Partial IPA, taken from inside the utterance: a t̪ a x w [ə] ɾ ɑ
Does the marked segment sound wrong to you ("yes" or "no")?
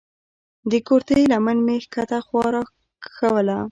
yes